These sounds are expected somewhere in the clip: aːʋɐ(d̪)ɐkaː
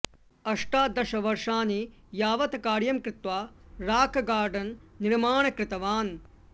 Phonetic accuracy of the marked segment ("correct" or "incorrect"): incorrect